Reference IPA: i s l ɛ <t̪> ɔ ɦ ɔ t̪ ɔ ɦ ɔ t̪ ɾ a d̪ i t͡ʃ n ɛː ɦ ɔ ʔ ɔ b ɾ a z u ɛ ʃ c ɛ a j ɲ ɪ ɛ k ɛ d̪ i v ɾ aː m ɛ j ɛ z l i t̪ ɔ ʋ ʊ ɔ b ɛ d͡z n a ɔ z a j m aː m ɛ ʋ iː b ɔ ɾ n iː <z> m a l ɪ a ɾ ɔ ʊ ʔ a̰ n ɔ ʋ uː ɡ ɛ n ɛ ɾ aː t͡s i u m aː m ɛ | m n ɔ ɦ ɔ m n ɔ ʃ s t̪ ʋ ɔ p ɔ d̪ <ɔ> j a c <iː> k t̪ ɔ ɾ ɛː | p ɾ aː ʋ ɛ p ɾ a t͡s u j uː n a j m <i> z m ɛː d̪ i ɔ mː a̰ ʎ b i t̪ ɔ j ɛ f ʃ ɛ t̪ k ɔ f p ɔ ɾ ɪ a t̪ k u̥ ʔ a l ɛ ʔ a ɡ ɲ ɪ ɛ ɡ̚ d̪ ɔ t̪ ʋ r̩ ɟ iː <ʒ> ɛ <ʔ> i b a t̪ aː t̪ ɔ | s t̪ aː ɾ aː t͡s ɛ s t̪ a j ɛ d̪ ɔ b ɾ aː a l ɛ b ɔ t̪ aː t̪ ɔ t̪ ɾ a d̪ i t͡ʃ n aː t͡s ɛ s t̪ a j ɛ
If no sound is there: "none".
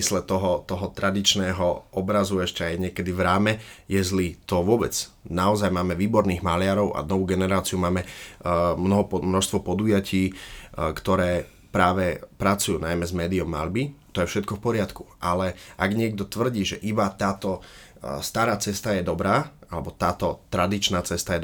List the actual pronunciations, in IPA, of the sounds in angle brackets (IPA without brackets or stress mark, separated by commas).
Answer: t̪, ɣ, u, iː, ɛ, ʒ, ʔ